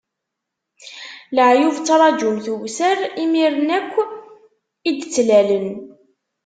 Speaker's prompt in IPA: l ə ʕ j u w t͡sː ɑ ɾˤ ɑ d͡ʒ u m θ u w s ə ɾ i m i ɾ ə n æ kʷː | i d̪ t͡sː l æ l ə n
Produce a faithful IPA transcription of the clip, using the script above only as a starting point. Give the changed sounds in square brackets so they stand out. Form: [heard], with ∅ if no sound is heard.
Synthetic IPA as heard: l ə ʕ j u [v] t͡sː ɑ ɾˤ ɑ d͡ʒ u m θ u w s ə ɾ i m i ɾ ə n æ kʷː | i d̪ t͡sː l æ l ə n